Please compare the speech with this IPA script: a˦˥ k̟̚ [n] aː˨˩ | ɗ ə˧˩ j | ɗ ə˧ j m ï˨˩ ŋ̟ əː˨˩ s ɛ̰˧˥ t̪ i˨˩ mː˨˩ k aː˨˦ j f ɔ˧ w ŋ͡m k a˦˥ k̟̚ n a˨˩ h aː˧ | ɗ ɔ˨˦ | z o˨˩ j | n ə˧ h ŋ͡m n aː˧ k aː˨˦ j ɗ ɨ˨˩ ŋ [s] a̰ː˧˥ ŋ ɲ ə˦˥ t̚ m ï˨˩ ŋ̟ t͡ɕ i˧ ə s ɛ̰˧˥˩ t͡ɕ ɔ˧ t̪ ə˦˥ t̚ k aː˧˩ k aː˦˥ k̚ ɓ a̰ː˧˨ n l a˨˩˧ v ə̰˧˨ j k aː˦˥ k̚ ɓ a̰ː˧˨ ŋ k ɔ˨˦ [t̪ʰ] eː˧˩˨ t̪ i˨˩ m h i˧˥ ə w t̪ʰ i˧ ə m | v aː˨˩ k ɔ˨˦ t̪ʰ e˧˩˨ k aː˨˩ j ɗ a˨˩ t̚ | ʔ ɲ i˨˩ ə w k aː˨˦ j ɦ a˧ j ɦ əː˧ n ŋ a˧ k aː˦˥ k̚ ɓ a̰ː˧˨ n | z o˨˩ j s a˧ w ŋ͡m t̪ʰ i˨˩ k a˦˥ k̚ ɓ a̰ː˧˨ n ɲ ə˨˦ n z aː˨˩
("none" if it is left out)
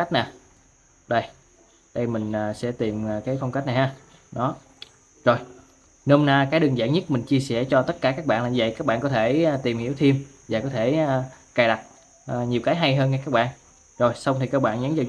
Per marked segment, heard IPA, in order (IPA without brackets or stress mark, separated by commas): n, z, t̪ʰ